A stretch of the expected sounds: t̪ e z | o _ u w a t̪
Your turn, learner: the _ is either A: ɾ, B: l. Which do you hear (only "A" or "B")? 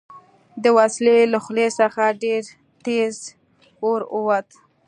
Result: A